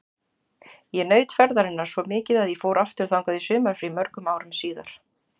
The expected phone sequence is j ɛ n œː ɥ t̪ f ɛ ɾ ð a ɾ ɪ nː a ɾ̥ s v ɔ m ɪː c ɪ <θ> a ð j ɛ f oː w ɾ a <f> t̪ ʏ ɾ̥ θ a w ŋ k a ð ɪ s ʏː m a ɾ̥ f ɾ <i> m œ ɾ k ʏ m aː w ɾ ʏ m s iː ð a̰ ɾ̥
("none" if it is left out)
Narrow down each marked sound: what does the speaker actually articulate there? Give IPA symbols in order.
ð, f, i

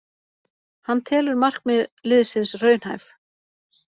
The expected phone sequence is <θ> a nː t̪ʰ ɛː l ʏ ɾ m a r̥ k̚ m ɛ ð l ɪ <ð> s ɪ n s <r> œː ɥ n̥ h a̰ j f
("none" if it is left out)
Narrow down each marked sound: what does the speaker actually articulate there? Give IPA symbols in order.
h, ð, r

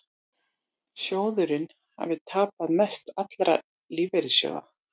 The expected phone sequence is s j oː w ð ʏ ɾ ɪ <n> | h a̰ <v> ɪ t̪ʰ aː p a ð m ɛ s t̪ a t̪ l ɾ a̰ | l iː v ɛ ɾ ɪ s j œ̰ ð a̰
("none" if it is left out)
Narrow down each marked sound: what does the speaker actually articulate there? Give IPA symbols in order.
n, v

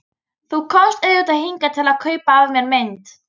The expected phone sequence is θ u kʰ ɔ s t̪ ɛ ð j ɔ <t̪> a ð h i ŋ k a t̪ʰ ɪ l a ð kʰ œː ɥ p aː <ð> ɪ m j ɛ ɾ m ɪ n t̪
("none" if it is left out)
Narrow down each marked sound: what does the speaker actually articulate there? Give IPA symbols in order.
t̪, v

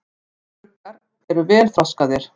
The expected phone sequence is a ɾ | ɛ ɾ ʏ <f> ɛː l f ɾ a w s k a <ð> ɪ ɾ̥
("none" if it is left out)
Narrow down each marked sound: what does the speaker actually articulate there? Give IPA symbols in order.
v, ð

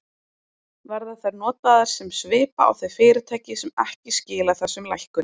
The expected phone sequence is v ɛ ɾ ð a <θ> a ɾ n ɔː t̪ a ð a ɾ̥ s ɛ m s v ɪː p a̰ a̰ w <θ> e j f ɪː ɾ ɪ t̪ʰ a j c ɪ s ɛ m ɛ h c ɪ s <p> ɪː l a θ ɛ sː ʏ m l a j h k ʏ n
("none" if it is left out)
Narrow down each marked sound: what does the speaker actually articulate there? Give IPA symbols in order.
θ, θ, c

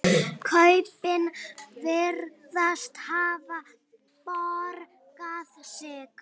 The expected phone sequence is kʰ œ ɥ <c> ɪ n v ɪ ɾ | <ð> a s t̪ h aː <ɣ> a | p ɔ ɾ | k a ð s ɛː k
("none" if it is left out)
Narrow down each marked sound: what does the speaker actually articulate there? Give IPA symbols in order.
p, ð, v

